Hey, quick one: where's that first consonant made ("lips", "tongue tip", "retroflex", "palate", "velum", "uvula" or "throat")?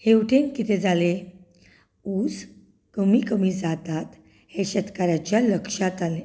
throat